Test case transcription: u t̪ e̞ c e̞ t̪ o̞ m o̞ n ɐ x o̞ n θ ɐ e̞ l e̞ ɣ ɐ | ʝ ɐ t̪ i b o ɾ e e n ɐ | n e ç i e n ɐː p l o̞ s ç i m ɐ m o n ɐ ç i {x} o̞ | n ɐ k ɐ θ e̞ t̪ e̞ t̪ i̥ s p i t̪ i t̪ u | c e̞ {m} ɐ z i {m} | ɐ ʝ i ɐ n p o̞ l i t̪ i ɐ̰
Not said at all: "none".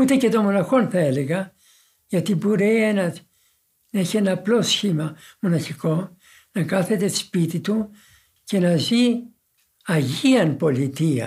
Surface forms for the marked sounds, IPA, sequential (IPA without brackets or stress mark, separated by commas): k, n, none